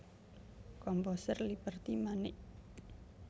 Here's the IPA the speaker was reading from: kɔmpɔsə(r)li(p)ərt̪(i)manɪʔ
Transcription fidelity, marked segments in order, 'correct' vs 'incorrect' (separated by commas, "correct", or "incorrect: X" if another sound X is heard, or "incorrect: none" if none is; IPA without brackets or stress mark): correct, correct, correct